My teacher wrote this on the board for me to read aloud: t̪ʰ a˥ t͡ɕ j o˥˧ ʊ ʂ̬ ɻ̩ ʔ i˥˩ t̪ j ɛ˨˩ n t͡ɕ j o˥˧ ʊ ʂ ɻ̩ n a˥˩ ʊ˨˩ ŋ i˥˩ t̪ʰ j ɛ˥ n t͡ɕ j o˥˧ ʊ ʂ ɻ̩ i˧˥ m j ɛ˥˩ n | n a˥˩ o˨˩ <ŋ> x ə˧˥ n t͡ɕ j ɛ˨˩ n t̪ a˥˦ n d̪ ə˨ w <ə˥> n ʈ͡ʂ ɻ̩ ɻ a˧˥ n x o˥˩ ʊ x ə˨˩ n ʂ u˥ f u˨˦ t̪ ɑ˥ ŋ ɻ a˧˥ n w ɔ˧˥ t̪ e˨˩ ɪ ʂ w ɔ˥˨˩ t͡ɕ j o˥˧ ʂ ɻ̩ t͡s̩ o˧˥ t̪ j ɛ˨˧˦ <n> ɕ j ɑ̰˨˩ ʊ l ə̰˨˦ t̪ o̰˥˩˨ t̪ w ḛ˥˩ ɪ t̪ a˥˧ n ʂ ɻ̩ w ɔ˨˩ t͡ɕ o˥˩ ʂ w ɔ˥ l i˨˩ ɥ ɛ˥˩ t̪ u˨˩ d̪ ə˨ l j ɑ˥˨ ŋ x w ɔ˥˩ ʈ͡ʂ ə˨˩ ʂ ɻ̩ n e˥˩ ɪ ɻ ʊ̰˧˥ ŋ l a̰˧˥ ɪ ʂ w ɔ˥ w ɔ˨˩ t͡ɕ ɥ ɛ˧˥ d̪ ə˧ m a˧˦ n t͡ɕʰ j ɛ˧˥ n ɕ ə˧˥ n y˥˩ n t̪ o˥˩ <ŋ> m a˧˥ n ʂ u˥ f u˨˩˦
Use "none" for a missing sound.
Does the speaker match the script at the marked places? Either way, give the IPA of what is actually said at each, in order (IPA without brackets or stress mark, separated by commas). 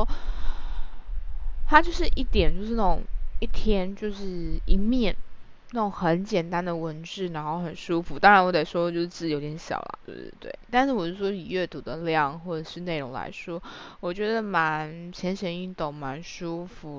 ŋ, ə˧˥, n, ŋ